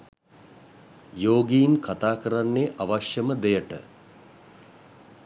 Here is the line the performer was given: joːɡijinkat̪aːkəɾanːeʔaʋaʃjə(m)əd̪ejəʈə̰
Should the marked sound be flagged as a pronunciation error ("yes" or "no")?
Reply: no